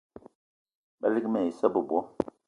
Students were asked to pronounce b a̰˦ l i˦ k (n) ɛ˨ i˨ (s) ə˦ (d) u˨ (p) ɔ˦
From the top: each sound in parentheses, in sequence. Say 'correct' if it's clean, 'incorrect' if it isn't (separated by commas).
incorrect, correct, incorrect, incorrect